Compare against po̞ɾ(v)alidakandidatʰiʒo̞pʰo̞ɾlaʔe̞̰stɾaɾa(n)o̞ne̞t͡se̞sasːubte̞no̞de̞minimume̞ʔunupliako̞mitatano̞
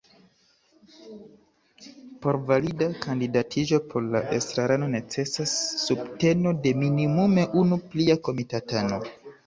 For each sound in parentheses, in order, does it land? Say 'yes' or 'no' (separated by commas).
yes, yes